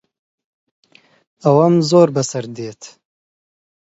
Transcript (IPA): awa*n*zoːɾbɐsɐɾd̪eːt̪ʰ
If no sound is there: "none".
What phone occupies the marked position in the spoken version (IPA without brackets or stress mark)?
m